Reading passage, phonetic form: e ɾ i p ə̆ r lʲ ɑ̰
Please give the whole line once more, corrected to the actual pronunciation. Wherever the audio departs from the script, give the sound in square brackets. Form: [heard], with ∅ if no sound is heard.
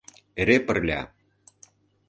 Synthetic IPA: e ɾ [e] p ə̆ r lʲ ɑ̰